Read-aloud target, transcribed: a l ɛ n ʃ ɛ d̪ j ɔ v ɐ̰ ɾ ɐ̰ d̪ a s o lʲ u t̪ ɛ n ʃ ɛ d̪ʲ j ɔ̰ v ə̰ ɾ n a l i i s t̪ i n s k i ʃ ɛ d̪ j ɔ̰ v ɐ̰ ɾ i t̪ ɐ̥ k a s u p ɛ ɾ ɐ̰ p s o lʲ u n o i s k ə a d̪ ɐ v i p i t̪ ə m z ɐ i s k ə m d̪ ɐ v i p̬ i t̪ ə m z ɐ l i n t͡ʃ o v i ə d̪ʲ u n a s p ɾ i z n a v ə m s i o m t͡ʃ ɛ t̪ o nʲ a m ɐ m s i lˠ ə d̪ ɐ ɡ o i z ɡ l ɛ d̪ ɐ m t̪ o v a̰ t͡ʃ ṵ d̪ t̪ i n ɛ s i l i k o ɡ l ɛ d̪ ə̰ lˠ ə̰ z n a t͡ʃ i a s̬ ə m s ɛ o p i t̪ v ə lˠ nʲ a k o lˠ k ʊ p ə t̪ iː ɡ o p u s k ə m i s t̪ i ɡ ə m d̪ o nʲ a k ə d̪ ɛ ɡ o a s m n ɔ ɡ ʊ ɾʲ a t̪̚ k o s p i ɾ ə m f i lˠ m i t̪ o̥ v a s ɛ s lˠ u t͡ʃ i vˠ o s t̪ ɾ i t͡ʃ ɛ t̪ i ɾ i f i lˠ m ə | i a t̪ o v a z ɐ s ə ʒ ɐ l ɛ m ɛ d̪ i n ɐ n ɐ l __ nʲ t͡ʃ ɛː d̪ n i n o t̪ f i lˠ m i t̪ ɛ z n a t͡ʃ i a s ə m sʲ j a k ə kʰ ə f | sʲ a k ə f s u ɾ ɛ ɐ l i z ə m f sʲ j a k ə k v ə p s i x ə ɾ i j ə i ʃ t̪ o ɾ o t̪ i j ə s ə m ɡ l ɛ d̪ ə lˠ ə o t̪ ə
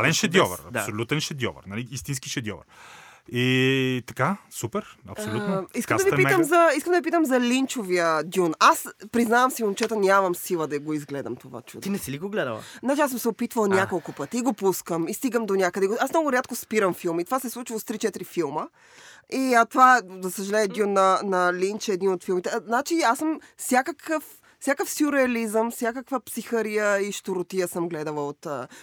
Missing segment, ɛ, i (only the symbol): i